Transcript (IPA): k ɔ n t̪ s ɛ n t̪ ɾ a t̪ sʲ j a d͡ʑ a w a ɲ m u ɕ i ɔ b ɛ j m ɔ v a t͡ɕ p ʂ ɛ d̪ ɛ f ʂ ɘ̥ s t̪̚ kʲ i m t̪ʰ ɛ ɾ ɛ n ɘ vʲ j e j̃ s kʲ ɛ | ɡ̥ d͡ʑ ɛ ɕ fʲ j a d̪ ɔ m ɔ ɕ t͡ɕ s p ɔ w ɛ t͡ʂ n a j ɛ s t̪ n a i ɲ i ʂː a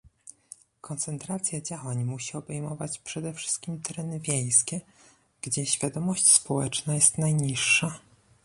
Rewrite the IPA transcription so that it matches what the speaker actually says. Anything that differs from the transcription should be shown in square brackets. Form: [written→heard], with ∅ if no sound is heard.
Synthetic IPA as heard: k ɔ n t̪ s ɛ n t̪ ɾ a t̪ sʲ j a d͡ʑ a w a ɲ m u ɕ i ɔ b ɛ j m ɔ v a t͡ɕ p ʂ ɛ d̪ ɛ f ʂ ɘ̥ s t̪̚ kʲ i m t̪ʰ ɛ ɾ ɛ n ɘ vʲ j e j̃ s kʲ ɛ | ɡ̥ d͡ʑ ɛ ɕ fʲ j a d̪ ɔ m ɔ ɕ t͡ɕ s p ɔ w ɛ t͡ʂ n a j ɛ s t̪ n a [i→j] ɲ i ʂː a